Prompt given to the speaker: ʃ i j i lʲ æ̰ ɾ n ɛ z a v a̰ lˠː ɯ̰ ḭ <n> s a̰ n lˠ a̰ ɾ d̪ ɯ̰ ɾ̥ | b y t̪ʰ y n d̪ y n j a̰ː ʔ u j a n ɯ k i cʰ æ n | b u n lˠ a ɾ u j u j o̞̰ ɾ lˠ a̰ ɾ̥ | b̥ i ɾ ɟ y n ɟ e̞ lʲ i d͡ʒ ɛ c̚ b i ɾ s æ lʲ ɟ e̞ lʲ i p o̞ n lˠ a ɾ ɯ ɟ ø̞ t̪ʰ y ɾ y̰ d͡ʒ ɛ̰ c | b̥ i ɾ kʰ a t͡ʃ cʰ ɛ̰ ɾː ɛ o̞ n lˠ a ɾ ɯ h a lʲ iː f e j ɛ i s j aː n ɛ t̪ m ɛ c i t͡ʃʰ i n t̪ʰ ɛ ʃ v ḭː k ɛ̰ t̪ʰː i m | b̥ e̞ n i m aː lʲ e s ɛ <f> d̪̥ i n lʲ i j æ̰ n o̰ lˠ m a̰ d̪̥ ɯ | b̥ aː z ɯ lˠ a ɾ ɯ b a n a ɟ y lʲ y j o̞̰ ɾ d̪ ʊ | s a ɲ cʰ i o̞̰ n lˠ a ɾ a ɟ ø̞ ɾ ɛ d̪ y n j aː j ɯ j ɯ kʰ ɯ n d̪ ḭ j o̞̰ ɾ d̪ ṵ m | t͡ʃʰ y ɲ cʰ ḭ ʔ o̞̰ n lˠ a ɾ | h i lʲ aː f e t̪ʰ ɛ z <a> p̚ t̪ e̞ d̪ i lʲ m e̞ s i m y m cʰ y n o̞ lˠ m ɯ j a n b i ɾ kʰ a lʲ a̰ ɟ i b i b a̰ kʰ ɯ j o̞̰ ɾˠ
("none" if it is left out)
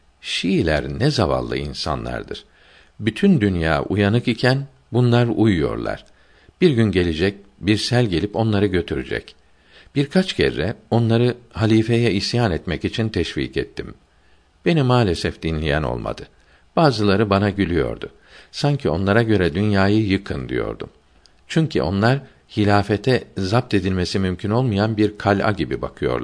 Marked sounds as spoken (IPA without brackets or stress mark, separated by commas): n, f, a